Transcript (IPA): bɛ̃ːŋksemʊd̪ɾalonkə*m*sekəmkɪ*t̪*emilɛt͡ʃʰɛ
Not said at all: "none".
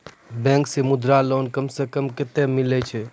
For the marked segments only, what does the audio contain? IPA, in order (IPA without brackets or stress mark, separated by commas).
m, t̪